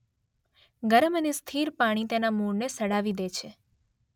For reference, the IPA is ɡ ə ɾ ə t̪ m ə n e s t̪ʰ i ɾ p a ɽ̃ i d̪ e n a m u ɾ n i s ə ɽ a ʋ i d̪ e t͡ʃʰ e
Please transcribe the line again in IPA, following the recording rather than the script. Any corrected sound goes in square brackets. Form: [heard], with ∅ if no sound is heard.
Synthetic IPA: ɡ ə ɾ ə [∅] m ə n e s t̪ʰ i ɾ p a ɽ̃ i [t̪] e n a m u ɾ n [e] s ə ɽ a ʋ i d̪ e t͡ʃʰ e